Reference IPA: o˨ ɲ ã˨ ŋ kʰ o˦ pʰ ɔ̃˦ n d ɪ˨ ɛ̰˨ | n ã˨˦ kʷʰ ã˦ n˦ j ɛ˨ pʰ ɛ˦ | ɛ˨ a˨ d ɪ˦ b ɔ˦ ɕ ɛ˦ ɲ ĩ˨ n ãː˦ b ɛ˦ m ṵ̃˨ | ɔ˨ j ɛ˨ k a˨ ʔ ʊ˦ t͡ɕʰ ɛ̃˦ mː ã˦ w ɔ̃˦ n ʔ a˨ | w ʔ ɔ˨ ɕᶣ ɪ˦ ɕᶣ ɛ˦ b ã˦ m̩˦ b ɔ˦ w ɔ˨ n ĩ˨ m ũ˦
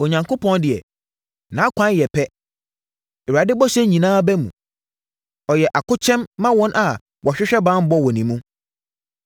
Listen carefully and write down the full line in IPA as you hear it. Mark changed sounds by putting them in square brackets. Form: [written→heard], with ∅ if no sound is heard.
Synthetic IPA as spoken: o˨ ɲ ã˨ ŋ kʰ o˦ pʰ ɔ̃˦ n d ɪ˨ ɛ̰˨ | n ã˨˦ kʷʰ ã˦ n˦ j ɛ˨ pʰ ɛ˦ | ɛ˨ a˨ d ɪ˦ b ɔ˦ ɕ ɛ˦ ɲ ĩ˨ n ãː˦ b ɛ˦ m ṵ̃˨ | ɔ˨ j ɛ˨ [k→ʔ] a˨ [ʔ→k] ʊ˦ t͡ɕʰ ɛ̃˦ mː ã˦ w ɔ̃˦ n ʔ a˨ | w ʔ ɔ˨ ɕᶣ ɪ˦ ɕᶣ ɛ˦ b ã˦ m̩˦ b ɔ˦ w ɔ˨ n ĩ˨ m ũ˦

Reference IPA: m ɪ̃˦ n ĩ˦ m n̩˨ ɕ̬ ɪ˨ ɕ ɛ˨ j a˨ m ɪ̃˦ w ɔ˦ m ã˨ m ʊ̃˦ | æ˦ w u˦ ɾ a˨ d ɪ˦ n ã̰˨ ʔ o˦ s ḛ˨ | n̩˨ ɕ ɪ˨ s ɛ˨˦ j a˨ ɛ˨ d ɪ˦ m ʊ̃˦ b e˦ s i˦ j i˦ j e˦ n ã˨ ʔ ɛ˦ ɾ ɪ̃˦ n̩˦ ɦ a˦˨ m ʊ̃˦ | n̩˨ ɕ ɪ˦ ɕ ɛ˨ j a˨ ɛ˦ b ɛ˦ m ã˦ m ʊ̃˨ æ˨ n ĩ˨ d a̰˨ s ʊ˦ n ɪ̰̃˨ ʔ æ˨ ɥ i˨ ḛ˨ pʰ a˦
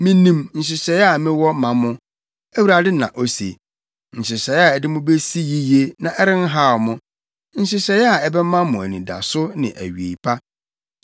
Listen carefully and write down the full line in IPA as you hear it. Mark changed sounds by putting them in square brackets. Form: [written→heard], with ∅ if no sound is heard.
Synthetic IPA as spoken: m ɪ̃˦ n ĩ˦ m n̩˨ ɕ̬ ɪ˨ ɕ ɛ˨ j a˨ m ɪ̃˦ w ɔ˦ m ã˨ m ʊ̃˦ | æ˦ w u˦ ɾ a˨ d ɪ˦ n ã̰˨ ʔ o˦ s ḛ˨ | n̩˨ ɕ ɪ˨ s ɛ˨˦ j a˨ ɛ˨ d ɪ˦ m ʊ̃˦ b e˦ s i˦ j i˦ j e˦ n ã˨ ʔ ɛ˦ ɾ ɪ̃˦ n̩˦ ɦ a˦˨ m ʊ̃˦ | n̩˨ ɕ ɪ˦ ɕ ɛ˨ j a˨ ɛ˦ b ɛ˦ m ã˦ m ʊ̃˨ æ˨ n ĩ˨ d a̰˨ s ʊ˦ n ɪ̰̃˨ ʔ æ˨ ɥ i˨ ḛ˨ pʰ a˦

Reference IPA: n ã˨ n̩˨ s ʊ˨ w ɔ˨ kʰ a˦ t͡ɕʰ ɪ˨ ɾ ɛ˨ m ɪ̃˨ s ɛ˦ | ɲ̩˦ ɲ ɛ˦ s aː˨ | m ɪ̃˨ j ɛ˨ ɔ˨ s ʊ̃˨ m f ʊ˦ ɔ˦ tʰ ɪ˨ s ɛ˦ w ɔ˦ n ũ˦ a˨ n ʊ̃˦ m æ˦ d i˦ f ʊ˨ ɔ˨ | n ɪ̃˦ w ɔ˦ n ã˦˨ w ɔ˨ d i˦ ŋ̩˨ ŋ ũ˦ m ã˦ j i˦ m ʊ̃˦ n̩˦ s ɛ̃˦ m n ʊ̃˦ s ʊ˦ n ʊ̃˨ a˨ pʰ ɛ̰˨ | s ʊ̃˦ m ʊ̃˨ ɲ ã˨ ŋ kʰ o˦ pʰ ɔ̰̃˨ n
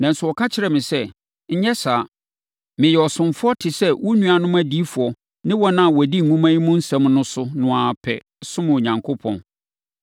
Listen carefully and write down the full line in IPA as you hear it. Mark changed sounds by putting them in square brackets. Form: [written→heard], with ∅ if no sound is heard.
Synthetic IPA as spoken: n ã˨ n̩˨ s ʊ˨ w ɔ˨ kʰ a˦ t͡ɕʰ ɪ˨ ɾ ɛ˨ m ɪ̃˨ s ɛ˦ | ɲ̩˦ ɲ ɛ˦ s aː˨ | m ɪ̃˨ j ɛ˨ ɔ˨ s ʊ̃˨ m f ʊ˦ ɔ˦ tʰ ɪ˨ s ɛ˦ w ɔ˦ n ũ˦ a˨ n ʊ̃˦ m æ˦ d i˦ f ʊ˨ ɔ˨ | n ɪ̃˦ w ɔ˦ n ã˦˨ w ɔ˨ d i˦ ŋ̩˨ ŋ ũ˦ m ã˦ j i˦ m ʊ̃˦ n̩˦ s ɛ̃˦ m n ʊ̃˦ s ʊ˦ n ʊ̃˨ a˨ pʰ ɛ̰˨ | s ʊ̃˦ m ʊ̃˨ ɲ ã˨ ŋ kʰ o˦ pʰ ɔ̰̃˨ n

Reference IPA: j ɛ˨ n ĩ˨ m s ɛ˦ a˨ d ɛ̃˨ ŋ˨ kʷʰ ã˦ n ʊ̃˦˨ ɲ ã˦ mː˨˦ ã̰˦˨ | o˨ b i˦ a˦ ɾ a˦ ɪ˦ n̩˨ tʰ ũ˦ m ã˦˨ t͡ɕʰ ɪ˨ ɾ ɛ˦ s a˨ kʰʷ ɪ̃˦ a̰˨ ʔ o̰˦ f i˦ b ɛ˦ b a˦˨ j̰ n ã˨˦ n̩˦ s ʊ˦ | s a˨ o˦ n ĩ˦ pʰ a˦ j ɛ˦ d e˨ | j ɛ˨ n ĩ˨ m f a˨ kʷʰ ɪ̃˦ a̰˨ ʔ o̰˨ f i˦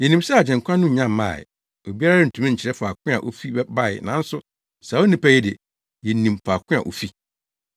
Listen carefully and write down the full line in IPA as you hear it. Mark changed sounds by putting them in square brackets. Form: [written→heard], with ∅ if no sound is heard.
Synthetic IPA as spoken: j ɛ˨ n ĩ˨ m s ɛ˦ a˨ [d→d͡ʑ] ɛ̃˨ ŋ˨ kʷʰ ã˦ n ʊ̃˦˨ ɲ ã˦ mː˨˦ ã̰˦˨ | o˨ b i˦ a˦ ɾ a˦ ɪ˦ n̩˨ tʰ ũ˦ m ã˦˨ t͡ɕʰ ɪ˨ ɾ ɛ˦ [s→f] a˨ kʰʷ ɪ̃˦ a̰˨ ʔ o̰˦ f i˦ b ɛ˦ b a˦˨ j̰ n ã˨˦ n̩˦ s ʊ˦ | s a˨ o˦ n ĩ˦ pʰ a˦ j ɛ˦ d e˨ | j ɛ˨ n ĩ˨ m f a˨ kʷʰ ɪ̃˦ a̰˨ ʔ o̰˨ f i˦

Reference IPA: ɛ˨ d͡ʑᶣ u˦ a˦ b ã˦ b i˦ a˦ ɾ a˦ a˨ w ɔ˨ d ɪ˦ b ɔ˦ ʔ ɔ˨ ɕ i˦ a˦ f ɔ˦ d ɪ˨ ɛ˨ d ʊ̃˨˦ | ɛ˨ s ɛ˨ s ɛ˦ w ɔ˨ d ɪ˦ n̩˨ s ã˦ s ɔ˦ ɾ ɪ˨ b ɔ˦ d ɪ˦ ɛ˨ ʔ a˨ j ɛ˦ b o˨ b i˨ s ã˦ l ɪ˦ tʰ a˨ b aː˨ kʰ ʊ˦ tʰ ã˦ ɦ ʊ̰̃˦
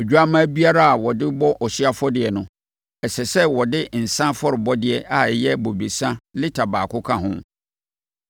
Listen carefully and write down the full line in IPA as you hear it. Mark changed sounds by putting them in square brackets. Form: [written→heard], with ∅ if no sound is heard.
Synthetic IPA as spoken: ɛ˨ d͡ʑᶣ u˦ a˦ [b→m] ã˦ b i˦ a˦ ɾ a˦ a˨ w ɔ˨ d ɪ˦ b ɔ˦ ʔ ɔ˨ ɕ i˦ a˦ f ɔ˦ d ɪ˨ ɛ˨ [d→n] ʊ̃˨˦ | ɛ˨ s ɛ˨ s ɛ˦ w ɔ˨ d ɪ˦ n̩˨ s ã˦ [s→f] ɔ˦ ɾ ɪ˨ b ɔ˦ d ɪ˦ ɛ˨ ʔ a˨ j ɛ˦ b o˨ b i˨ s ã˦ l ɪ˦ tʰ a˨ b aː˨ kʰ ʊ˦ [tʰ→kʰ] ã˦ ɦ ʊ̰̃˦

